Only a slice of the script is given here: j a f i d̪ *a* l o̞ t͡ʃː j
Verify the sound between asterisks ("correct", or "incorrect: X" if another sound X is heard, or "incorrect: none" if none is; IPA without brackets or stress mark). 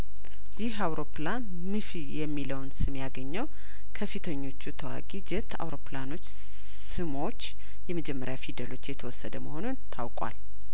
incorrect: ə